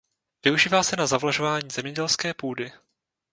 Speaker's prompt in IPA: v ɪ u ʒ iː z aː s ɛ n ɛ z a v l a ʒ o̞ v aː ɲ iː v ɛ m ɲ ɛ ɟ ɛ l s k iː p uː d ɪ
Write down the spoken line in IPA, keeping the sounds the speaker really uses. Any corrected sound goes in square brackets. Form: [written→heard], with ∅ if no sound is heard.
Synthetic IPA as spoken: v ɪ u ʒ iː [z→v] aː s ɛ n [ɛ→a] z a v l a ʒ o̞ v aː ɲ iː [v→z] ɛ m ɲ ɛ ɟ ɛ l s k [iː→ɛː] p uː d ɪ